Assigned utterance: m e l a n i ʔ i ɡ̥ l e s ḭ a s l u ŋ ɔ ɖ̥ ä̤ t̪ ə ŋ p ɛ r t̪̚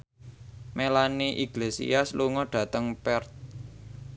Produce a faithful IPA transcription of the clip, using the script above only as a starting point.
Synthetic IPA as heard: m e l a n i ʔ i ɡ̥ l e s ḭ a s l u ŋ ɔ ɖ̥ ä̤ t̪ ə ŋ p ɛ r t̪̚